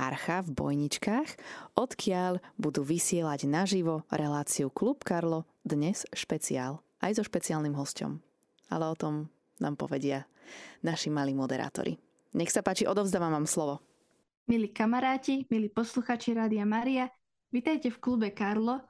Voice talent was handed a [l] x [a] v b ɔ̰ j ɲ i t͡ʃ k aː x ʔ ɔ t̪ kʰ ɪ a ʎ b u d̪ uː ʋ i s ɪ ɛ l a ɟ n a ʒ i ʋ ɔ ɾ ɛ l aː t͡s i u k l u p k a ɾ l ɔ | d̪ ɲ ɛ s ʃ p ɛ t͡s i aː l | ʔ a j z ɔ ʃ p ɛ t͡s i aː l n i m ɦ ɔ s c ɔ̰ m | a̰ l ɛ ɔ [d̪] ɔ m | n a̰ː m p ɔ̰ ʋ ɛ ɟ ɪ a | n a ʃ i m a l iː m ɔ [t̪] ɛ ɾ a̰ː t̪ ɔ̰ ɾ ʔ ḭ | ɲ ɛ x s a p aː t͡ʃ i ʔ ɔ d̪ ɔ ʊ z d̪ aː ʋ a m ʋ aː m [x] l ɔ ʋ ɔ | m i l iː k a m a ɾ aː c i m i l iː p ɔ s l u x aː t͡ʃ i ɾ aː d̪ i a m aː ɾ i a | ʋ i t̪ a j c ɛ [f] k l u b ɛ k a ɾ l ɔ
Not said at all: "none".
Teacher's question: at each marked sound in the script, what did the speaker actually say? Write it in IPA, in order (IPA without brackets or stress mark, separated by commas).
ɾ, a, t̪, d̪, s, f